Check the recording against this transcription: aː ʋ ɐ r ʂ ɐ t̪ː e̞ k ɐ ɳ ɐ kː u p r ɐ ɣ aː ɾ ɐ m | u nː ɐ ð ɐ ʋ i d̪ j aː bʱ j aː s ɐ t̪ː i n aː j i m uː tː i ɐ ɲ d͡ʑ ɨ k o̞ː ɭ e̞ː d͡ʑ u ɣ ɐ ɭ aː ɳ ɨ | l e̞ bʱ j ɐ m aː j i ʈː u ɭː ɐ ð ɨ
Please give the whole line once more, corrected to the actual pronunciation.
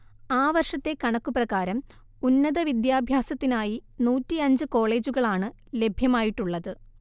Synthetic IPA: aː ʋ ɐ r ʂ ɐ t̪ː e̞ k ɐ ɳ ɐ kː u p r ɐ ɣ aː ɾ ɐ m | u nː ɐ ð ɐ ʋ i d̪ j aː bʱ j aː s ɐ t̪ː i n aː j i n uː tː i ɐ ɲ d͡ʑ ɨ k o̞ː ɭ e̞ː d͡ʑ u ɣ ɐ ɭ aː ɳ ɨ | l e̞ bʱ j ɐ m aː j i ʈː u ɭː ɐ ð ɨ